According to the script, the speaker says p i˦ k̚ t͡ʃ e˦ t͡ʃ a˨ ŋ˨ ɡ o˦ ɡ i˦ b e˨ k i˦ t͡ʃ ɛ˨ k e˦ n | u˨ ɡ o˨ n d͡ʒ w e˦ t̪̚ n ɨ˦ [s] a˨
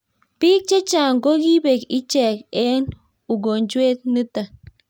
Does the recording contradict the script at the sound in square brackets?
yes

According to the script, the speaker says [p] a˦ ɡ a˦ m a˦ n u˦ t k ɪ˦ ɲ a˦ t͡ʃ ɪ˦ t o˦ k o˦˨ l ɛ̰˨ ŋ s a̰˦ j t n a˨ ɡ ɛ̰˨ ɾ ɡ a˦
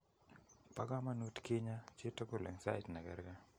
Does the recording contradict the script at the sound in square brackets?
no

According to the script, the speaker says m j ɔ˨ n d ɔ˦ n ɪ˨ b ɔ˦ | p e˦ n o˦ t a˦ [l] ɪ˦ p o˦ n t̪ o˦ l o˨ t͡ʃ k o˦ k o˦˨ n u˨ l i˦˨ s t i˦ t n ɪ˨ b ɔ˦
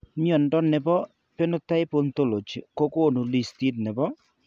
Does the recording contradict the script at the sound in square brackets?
yes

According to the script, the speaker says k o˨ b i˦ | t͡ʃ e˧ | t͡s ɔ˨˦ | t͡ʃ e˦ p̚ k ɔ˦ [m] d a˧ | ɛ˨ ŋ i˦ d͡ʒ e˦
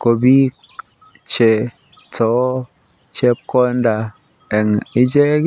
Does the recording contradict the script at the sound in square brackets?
yes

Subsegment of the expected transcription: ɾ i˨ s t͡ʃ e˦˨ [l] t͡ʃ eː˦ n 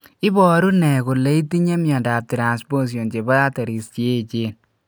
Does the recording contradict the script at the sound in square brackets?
yes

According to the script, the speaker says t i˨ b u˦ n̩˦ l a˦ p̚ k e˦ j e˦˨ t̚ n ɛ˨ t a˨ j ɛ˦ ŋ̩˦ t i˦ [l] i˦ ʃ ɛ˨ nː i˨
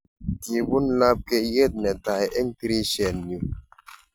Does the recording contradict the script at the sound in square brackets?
yes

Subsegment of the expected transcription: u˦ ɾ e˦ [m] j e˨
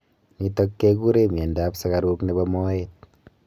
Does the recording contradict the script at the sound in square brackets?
no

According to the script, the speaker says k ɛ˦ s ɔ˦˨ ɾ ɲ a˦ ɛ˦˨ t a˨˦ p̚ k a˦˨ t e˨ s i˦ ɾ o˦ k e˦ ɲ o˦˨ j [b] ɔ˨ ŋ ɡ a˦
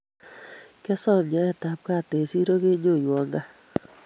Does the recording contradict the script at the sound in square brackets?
yes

